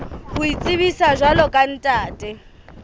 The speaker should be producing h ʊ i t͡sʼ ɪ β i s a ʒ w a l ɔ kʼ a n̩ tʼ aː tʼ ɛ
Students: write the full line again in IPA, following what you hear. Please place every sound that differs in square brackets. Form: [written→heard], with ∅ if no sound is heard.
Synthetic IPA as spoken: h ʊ i t͡sʼ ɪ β i s a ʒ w a l ɔ kʼ a n̩ tʼ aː tʼ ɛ